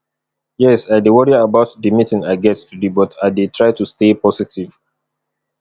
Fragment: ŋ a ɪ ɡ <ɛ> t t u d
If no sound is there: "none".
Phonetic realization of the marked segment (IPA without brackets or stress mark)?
ɛ